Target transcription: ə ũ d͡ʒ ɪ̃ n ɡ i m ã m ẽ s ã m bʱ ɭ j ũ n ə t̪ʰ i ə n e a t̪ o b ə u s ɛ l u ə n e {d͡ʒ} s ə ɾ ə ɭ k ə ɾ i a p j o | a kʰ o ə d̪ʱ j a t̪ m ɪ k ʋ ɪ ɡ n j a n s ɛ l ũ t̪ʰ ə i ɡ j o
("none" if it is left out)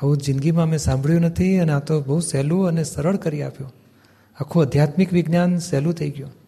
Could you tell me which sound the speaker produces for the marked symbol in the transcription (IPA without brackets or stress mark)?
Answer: none